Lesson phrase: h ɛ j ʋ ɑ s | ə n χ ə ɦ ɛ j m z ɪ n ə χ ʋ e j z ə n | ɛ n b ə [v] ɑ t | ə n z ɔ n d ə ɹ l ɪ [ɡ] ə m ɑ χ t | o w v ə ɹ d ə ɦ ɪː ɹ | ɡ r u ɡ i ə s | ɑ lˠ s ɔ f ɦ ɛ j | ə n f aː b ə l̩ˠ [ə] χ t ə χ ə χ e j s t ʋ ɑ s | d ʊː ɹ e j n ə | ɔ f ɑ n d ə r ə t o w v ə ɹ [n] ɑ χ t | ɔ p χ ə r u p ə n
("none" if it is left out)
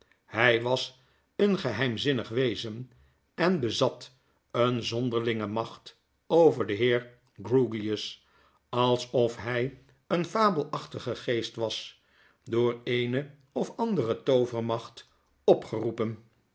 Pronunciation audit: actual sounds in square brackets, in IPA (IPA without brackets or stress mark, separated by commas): z, ŋ, ɑ, m